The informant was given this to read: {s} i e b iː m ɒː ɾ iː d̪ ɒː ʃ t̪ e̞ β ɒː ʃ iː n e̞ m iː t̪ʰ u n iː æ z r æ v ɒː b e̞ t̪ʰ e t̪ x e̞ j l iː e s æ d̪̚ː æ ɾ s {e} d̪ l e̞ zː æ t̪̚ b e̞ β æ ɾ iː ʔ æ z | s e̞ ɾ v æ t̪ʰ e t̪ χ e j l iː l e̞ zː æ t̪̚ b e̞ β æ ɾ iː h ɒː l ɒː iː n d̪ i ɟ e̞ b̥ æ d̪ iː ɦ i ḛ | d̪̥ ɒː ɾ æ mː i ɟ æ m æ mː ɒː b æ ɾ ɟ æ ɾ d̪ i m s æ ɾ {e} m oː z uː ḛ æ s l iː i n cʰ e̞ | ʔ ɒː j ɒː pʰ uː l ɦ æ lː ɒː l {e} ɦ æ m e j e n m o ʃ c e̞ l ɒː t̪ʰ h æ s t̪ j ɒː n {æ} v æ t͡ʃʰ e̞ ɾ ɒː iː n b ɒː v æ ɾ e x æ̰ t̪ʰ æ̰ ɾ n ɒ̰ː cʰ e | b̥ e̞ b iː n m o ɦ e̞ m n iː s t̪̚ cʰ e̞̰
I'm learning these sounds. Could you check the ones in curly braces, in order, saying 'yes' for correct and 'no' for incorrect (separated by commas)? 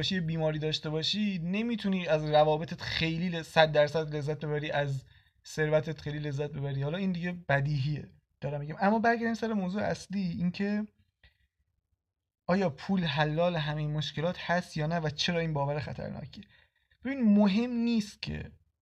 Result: no, no, yes, yes, yes